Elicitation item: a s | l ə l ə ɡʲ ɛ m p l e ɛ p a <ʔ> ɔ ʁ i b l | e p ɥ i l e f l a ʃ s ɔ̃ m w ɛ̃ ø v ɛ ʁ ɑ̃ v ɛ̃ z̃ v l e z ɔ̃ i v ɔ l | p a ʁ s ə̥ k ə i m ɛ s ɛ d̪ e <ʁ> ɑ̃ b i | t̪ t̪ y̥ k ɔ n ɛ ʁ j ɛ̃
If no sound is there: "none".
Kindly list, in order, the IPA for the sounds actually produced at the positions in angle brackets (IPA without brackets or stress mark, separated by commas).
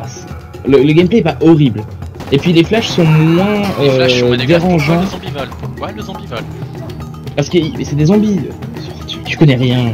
ʔ, z